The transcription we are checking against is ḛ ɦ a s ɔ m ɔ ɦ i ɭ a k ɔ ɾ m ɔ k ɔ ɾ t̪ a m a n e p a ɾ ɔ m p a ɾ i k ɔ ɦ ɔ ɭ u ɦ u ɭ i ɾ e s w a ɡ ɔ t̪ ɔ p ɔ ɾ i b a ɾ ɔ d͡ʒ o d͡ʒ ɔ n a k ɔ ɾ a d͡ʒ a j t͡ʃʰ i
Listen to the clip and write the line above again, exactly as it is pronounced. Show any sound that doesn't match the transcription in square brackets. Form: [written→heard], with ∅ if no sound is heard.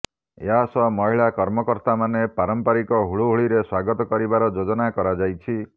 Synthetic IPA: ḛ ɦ a s ɔ m ɔ ɦ i ɭ a k ɔ ɾ m ɔ k ɔ ɾ t̪ a m a n e p a ɾ ɔ m p a ɾ i k ɔ ɦ [ɔ→u] ɭ u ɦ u ɭ i ɾ e s w a ɡ ɔ t̪ ɔ [p→k] ɔ ɾ i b a ɾ ɔ d͡ʒ o d͡ʒ ɔ n a k ɔ ɾ a d͡ʒ a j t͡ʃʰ i